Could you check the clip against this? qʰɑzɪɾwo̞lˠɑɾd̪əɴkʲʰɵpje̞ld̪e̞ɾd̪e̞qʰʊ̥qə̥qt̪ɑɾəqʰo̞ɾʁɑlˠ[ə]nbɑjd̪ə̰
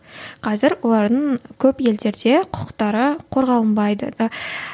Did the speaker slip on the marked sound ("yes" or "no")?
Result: no